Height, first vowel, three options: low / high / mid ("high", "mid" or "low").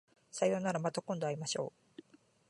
low